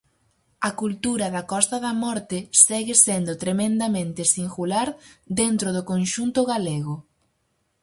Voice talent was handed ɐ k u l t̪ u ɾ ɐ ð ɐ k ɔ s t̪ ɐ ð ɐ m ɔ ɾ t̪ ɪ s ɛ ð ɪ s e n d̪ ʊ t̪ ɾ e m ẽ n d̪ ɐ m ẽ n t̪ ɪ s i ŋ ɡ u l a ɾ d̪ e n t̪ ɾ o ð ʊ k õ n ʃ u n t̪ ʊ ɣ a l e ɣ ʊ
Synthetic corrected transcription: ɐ k u l t̪ u ɾ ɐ ð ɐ k ɔ s t̪ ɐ ð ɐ m ɔ ɾ t̪ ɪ s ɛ ɣ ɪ s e n d̪ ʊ t̪ ɾ e m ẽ n d̪ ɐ m ẽ n t̪ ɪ s i ŋ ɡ u l a ɾ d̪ e n t̪ ɾ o ð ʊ k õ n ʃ u n t̪ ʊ ɣ a l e ɣ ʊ